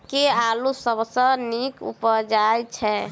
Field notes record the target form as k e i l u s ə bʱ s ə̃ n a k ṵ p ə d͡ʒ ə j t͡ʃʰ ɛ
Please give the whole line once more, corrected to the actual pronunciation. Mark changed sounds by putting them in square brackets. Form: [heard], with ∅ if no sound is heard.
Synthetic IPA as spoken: k e [a] l u s ə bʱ s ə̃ n [i] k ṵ p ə d͡ʒ [a] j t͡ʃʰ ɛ